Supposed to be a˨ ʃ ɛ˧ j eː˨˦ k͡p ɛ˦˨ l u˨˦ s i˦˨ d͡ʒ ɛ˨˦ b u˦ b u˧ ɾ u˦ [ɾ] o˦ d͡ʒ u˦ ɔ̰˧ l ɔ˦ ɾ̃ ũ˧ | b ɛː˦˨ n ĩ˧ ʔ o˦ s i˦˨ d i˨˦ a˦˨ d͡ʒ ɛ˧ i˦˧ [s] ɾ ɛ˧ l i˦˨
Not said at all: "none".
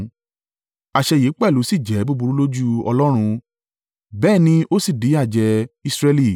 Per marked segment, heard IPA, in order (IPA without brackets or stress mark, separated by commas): l, s